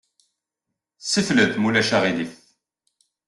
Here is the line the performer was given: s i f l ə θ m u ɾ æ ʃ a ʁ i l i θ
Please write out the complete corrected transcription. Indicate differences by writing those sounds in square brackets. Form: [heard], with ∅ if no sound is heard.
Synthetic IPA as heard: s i f l ə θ m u [l] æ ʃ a ʁ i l i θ